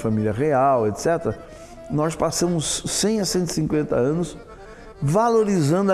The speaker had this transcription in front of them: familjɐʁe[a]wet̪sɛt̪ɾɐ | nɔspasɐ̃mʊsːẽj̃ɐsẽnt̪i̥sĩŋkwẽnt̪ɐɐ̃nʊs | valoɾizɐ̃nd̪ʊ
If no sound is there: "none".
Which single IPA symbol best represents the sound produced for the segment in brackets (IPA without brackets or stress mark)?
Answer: a